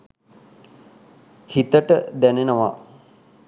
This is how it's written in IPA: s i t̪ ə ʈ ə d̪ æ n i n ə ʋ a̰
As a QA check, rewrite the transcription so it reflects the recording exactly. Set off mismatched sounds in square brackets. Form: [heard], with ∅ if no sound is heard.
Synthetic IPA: [h] i t̪ ə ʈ ə d̪ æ n [e] n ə ʋ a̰